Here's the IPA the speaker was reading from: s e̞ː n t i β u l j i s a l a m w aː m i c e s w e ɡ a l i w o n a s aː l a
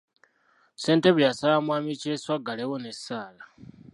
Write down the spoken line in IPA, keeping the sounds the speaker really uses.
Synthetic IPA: s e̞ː n t e β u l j a s a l a m w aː m i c e s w a ɡ a l e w o n e s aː l a